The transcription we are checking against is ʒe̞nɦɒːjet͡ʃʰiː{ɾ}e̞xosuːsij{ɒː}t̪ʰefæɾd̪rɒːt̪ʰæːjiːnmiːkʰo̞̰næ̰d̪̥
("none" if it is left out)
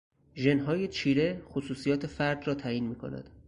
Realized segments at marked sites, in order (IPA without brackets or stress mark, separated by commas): ɾ, ɒː